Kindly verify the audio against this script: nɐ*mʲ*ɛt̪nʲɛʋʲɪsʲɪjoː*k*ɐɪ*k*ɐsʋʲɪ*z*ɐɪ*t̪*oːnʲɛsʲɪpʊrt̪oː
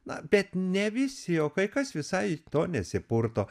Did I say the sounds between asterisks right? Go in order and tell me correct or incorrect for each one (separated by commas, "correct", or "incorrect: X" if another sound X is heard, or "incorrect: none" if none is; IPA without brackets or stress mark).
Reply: incorrect: bʲ, correct, correct, incorrect: s, correct